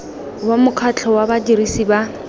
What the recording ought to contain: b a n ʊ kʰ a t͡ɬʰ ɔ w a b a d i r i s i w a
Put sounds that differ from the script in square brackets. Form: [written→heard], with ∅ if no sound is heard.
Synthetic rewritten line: [b→w] a [n→m] ʊ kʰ a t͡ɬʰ ɔ w a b a d i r i s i [w→b] a